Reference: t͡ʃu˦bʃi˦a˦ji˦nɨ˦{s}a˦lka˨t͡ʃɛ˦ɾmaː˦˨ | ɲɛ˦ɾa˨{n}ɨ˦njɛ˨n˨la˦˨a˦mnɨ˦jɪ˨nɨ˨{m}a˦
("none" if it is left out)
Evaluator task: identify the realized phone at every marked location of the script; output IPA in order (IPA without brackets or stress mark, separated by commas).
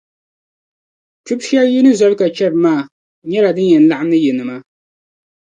z, d, m